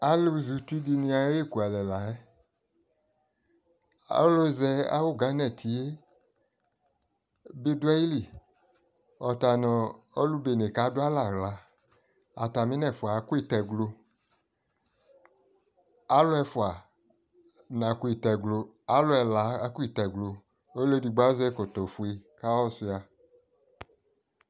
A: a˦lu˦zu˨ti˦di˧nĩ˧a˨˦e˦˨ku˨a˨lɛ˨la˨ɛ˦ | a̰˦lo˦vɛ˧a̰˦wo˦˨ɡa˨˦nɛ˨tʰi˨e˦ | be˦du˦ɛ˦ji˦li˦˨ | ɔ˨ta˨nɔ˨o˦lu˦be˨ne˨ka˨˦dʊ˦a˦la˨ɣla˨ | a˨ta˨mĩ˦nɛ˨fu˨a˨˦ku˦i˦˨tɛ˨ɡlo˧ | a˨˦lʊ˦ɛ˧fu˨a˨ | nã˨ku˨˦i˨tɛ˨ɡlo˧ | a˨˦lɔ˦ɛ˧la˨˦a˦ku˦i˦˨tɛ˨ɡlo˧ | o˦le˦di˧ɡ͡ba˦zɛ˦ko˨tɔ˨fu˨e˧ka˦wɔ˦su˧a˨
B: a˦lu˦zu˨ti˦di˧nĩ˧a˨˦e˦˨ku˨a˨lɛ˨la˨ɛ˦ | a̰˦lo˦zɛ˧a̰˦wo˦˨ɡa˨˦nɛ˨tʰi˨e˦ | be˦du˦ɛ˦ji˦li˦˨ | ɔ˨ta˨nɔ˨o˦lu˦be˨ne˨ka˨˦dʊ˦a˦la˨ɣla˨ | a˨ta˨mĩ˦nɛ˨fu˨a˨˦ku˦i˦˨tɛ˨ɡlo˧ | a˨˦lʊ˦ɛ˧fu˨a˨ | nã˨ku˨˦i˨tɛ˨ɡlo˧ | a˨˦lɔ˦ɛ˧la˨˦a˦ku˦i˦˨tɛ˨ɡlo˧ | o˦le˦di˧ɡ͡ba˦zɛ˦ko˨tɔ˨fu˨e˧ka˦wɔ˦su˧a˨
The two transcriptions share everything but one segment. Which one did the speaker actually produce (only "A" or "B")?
B